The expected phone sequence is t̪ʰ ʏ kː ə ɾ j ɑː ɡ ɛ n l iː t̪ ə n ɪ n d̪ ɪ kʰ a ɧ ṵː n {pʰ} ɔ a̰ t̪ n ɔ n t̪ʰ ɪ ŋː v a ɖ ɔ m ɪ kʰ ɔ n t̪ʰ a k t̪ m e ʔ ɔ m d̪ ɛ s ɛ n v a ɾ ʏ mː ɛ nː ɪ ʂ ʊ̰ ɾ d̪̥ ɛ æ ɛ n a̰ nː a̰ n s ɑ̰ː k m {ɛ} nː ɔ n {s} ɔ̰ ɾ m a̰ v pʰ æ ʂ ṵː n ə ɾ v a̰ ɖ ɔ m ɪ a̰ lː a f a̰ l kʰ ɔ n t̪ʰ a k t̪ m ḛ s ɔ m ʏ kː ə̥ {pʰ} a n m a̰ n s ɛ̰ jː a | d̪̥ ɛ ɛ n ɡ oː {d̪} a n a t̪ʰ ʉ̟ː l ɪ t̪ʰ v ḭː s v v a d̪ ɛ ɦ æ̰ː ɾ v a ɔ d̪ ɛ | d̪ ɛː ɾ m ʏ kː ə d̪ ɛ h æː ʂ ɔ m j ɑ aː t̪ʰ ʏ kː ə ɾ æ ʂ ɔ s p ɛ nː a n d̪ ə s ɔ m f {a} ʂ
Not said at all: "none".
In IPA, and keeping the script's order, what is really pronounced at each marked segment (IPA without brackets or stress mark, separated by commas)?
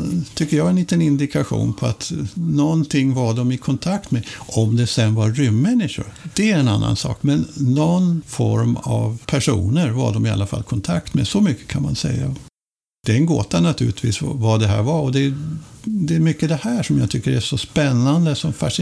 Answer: pʰ, ɛ, f, kʰ, t̪, a